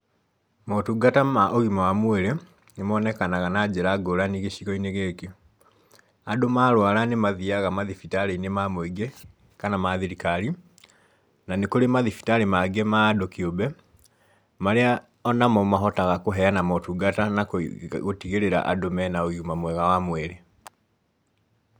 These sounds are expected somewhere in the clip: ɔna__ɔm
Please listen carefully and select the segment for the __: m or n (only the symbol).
m